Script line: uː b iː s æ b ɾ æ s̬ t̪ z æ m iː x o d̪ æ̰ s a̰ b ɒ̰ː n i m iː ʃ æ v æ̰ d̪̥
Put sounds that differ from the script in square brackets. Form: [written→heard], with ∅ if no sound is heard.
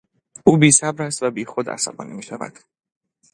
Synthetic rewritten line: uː b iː s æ b ɾ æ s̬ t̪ [z→v] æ [m→b] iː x o d̪ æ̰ s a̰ b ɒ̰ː n i m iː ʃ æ v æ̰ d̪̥